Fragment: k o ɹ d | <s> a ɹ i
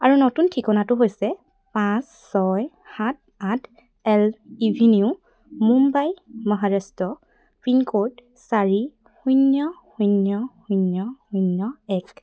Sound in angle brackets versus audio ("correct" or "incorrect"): correct